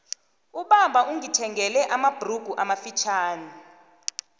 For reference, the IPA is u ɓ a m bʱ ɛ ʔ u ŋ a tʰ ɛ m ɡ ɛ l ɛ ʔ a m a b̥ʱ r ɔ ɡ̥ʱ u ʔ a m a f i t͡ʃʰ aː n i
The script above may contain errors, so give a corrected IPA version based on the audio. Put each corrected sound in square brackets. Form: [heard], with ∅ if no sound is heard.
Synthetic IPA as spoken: u ɓ a m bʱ [a] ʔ u ŋ [i] tʰ ɛ [ŋ] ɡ ɛ l ɛ ʔ a m a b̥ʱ r [u] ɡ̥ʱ u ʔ a m a f i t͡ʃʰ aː n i